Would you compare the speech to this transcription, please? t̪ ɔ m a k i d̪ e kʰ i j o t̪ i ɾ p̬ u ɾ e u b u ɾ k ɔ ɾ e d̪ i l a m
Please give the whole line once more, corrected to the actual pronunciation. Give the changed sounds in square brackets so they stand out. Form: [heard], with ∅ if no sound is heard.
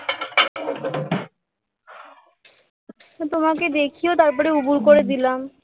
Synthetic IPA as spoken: t̪ [o] m a k [e] d̪ e kʰ i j o t̪ [a] ɾ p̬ [ɔ] ɾ e u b u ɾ k [o] ɾ e d̪ i l a m